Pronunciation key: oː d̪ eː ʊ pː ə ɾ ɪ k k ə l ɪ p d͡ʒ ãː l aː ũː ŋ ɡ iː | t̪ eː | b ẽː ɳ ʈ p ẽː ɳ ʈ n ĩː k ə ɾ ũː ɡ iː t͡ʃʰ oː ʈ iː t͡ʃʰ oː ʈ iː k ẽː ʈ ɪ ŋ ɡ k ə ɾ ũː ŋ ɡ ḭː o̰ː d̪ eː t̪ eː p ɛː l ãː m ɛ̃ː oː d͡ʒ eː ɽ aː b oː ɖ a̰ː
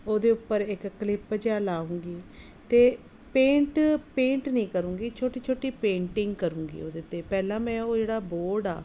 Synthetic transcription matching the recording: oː d̪ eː ʊ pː ə ɾ ɪ k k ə l ɪ p d͡ʒ aː l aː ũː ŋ ɡ iː | t̪ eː | p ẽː ɳ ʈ p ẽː ɳ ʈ n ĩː k ə ɾ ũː ɡ iː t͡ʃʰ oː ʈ iː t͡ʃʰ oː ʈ iː p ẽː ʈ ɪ ŋ ɡ k ə ɾ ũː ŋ ɡ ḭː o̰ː d̪ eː t̪ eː p ɛː l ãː m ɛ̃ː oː d͡ʒ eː ɽ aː b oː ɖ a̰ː